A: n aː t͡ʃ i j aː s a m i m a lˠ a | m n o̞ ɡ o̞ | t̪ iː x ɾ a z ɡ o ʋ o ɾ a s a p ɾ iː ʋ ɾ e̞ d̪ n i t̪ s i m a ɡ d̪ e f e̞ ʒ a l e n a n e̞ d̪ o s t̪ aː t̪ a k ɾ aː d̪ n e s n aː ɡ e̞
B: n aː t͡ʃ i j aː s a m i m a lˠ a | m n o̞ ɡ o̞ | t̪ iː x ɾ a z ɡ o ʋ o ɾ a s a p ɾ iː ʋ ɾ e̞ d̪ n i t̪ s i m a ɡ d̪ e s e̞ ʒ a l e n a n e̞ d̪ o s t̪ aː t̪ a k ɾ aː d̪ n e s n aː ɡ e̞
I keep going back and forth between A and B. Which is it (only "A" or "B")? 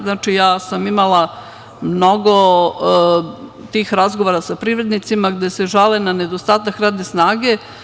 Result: B